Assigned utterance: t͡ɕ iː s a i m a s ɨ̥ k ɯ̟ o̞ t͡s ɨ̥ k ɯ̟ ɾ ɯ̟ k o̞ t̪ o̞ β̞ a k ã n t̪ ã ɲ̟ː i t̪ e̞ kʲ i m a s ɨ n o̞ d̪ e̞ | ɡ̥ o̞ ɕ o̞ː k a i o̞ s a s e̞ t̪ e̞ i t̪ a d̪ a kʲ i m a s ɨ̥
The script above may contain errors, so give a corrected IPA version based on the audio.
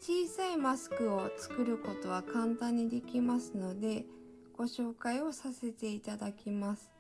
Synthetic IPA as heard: t͡ɕ iː s a i m a s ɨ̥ k ɯ̟ o̞ t͡s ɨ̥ k ɯ̟ ɾ ɯ̟ k o̞ t̪ o̞ β̞ a k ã n t̪ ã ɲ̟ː i d̪ e̞ kʲ i m a s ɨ n o̞ d̪ e̞ | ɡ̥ o̞ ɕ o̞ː k a i o̞ s a s e̞ t̪ e̞ i t̪ a d̪ a kʲ i m a s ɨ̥